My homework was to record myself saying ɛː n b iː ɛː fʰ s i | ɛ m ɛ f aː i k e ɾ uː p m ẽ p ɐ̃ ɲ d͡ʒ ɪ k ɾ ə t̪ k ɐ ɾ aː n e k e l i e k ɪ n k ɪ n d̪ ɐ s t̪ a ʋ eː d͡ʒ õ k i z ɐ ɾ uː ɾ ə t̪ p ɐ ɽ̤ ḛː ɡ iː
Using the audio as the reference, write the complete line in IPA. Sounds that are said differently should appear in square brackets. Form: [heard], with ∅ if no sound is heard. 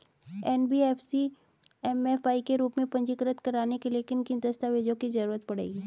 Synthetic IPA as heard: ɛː n b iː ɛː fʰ s i | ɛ m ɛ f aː i k e ɾ uː p m ẽ p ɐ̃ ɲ d͡ʒ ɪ k ɾ ə t̪ k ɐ ɾ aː n e k e l i e k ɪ n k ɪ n d̪ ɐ s t̪ a ʋ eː d͡ʒ õ k i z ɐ ɾ uː ɾ ə t̪ p ɐ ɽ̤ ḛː ɡ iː